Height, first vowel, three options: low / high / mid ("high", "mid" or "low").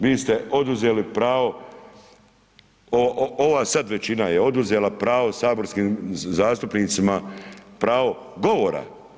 high